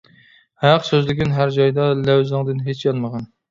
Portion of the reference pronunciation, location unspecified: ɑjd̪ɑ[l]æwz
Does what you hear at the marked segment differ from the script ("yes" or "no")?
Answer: no